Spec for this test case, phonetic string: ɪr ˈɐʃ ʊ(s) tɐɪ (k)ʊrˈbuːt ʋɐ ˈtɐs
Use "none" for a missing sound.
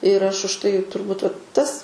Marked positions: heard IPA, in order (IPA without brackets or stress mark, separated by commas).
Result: ʃ, t